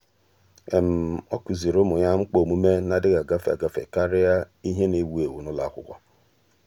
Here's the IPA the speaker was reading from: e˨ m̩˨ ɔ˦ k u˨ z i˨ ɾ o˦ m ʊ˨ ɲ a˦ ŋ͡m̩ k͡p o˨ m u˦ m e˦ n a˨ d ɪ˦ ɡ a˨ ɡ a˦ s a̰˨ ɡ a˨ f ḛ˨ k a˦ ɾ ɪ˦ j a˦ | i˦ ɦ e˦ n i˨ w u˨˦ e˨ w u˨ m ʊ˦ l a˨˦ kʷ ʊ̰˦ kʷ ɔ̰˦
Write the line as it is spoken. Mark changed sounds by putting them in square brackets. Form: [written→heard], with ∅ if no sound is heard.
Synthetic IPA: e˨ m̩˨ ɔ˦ k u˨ z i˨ ɾ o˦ m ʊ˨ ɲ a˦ ŋ͡m̩ k͡p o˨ m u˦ m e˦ n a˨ d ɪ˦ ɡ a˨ ɡ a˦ [s→f] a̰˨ ɡ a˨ f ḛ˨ k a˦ ɾ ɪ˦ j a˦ | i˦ ɦ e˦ n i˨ w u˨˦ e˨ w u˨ [m→n] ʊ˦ l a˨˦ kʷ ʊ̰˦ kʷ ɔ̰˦